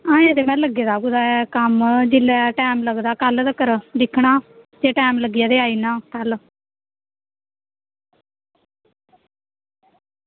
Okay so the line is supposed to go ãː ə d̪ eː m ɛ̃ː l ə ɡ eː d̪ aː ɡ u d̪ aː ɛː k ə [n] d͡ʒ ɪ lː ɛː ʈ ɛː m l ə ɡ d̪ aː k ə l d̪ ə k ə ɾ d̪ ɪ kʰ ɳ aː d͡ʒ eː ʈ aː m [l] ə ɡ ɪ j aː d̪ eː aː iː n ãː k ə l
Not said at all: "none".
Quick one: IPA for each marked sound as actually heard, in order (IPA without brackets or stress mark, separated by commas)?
m, l